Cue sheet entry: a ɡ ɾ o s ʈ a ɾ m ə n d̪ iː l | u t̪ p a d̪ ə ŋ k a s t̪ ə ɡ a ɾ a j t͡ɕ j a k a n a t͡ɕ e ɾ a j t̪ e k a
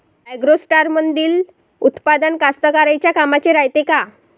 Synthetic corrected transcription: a ɡ ɾ o s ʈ a ɾ m ə n d̪ iː l | u t̪ p a d̪ ə n k a s t̪ ə k a ɾ a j t͡ɕ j a k a m a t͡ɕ e ɾ a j t̪ e k a